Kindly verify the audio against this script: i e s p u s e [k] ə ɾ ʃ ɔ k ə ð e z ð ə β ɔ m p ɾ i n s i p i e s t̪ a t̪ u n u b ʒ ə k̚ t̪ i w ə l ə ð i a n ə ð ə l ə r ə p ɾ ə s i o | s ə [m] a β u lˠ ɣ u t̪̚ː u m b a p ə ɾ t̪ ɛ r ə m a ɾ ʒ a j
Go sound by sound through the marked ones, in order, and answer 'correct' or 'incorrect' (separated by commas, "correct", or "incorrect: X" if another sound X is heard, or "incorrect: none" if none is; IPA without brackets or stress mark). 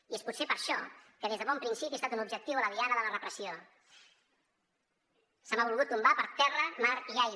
incorrect: p, correct